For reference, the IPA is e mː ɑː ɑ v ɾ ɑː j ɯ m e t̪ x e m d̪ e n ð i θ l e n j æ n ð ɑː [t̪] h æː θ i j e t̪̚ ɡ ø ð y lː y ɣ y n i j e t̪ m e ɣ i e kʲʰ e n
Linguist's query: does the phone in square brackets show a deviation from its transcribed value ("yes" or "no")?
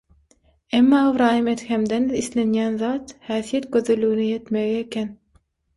no